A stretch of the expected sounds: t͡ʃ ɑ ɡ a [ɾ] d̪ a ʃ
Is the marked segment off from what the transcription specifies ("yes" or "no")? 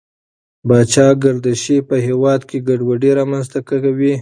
no